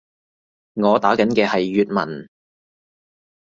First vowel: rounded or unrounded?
rounded